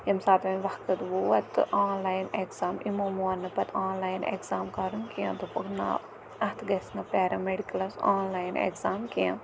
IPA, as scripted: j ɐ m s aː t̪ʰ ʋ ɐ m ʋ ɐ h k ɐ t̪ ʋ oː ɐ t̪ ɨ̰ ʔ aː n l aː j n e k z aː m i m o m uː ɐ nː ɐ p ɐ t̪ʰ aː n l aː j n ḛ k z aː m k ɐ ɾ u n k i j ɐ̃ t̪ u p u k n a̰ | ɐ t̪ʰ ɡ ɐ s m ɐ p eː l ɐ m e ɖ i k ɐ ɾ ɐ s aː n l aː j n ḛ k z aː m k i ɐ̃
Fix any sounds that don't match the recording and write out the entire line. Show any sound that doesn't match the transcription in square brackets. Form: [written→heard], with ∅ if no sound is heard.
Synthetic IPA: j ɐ m s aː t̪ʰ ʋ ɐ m ʋ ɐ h k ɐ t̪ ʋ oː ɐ t̪ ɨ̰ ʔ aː n l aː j n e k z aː m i m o m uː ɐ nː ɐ p ɐ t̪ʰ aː n l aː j n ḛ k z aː m k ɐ ɾ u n k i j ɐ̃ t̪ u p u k n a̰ | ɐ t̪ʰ ɡ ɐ s [m→n] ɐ p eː [l→ɾ] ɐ m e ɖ i k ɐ [ɾ→l] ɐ s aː n l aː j n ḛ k z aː m k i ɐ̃